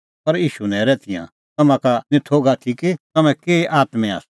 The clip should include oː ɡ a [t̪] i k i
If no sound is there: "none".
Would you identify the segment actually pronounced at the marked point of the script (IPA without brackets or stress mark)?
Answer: t̪ʰ